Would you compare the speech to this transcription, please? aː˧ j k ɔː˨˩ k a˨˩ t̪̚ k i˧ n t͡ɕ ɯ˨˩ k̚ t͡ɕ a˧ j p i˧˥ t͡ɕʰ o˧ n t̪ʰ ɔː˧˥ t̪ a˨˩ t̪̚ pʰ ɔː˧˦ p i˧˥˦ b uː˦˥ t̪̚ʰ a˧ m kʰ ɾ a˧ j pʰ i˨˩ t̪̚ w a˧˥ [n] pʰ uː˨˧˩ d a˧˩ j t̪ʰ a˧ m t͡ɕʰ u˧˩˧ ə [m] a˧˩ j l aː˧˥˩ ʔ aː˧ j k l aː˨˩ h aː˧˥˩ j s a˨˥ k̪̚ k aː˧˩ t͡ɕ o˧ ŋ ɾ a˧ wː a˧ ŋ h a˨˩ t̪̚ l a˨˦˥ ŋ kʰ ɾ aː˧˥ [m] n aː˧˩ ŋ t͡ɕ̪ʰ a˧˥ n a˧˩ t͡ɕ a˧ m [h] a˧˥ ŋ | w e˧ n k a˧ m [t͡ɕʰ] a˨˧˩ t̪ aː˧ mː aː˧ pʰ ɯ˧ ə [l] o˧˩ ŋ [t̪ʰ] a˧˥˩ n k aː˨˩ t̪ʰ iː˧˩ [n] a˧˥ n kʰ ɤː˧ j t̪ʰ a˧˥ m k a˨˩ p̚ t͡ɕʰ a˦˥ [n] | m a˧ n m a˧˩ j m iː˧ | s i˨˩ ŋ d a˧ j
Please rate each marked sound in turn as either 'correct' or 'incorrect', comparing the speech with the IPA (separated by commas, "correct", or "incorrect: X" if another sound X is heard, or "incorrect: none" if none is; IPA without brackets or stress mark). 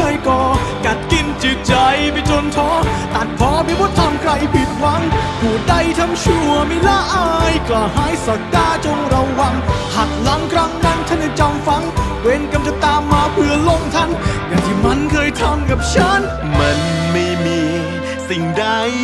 incorrect: ŋ, correct, incorrect: ŋ, incorrect: f, incorrect: t͡ɕ, correct, correct, incorrect: m, correct